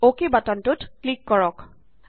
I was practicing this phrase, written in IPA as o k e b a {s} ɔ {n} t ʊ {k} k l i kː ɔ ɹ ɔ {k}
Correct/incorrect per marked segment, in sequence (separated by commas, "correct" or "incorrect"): incorrect, correct, incorrect, correct